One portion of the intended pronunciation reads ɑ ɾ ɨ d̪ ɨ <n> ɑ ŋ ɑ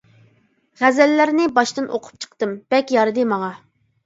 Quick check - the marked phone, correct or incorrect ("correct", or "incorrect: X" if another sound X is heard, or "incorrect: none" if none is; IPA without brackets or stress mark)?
incorrect: m